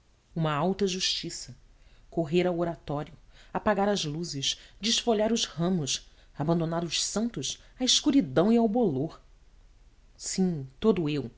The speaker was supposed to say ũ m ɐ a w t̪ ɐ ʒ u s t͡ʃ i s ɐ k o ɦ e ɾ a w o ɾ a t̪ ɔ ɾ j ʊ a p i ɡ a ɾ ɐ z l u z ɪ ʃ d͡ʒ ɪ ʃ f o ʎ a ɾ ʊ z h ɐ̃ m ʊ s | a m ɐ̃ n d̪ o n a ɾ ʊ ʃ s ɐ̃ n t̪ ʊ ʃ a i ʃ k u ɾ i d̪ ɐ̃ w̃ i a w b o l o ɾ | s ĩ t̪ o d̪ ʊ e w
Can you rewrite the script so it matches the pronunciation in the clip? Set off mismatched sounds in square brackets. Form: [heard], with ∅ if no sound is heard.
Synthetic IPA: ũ m ɐ a w t̪ ɐ ʒ u [ʃ] t͡ʃ i s ɐ k o ɦ e ɾ a w o ɾ a t̪ ɔ ɾ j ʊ a p [a] ɡ a ɾ ɐ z l u z ɪ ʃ d͡ʒ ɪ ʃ f o ʎ a ɾ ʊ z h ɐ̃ m ʊ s | a [b] ɐ̃ n d̪ o n a ɾ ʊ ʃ s ɐ̃ n t̪ ʊ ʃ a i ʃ k u ɾ i d̪ ɐ̃ w̃ i a w b o l o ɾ | s ĩ t̪ o d̪ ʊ e w